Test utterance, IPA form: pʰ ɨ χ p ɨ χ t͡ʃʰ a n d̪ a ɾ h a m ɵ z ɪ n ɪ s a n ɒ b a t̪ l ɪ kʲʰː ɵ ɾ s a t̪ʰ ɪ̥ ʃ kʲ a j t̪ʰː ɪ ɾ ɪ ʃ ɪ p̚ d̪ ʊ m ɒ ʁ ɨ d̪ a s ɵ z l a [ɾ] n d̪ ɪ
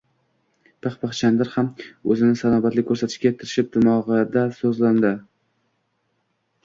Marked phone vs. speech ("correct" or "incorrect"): incorrect